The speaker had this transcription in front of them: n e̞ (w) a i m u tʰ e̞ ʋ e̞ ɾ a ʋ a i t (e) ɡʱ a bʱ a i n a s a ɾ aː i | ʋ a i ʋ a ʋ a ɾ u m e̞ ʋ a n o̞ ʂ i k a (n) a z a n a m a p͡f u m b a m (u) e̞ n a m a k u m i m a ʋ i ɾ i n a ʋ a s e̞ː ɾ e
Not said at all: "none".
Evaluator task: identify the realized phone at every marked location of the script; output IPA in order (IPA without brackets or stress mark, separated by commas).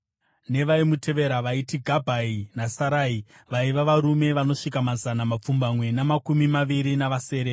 ʋ, i, m, w